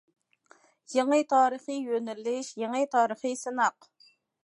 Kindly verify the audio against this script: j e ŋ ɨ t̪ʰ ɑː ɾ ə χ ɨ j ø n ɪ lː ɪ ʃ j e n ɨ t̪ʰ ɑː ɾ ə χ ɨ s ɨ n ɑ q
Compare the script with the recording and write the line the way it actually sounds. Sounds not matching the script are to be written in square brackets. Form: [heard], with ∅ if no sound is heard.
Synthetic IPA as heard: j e ŋ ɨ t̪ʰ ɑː ɾ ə χ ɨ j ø n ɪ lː ɪ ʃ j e [ŋ] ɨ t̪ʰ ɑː ɾ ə χ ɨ s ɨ n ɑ q

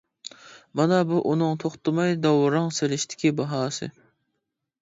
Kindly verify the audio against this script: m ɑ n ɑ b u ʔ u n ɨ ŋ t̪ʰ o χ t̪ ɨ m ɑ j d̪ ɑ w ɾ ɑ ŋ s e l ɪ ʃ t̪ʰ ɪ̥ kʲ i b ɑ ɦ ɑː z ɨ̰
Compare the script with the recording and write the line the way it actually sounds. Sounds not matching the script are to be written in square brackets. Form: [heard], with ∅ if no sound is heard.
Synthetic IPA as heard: m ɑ n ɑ b u ʔ u n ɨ ŋ t̪ʰ o χ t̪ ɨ m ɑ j d̪ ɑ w ɾ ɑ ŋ s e l ɪ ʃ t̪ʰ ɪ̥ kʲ i b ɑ ɦ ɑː [s] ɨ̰

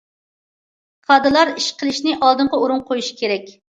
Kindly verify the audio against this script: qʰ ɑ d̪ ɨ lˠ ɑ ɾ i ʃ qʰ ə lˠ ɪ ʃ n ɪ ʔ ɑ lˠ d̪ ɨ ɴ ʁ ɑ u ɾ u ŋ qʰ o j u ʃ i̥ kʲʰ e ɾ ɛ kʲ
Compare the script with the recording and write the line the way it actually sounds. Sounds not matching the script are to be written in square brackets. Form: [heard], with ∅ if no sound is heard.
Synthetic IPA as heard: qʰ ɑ d̪ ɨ lˠ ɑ ɾ i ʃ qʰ ə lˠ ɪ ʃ n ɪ ʔ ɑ lˠ d̪ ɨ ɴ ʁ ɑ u ɾ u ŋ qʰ o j u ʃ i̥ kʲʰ e ɾ ɛ kʲ

